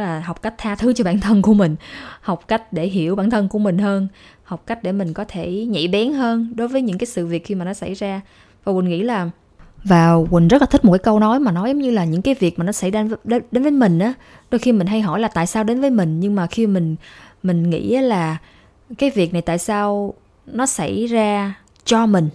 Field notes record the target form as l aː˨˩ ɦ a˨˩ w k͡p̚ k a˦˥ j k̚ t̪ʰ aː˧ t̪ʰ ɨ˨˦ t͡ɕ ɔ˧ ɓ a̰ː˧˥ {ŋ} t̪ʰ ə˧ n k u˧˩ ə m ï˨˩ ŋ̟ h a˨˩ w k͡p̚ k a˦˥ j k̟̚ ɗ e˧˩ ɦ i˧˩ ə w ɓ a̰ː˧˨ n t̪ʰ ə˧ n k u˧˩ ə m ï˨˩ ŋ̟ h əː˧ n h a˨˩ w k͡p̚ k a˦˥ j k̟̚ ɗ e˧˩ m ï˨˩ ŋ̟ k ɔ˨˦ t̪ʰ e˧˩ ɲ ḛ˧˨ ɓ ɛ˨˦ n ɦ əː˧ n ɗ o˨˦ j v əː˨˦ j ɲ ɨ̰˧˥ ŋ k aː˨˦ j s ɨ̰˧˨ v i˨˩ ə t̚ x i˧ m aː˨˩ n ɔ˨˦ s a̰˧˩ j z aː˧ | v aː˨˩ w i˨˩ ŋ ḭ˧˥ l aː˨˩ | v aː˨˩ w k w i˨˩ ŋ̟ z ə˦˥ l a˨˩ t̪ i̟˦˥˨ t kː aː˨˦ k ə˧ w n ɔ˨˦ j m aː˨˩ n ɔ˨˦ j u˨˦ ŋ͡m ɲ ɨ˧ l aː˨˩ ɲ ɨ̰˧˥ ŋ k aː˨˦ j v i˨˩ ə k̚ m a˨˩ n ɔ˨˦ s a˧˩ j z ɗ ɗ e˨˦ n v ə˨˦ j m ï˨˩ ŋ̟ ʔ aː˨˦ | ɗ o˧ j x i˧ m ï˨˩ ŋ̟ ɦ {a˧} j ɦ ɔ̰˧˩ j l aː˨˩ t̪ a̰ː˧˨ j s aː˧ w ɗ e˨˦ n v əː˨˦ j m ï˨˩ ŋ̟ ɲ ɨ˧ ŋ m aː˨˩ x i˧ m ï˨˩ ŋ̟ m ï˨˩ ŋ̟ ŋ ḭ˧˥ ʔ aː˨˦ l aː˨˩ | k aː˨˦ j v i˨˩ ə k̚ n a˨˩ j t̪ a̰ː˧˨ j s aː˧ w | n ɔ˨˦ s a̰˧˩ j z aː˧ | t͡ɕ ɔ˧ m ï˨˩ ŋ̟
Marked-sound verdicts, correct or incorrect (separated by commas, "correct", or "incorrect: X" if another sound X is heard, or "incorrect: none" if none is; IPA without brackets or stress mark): incorrect: n, correct